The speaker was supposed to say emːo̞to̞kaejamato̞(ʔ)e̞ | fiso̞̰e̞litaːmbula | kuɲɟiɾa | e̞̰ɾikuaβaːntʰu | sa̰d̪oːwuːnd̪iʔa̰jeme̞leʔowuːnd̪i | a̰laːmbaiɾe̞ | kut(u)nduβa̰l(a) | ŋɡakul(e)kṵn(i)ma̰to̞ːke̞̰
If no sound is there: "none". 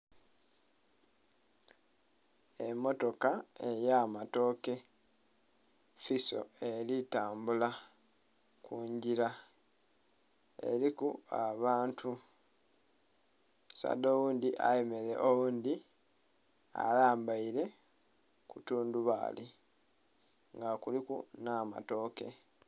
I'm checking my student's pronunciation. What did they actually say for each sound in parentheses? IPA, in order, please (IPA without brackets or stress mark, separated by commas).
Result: k, uː, i, i, a